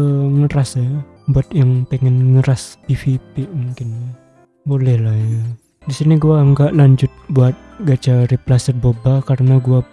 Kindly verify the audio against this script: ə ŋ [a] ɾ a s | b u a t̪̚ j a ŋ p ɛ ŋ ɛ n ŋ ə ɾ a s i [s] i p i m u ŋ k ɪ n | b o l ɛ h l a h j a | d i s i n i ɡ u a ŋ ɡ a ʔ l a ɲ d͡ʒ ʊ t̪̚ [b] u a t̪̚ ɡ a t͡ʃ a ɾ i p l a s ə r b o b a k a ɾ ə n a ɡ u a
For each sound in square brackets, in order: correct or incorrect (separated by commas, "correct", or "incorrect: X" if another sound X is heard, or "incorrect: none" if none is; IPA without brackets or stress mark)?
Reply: incorrect: ə, incorrect: f, correct